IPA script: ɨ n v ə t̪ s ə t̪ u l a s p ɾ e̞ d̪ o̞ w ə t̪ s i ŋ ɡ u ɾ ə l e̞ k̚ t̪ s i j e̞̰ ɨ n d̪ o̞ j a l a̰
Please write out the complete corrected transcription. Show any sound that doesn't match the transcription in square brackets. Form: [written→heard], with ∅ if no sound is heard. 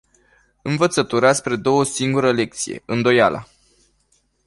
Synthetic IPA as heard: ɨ n v ə t̪ s ə t̪ u [l→ɾ] a s p ɾ e̞ d̪ o̞ w ə [t̪→∅] s i ŋ ɡ u ɾ ə l e̞ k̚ t̪ s i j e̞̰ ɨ n d̪ o̞ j a l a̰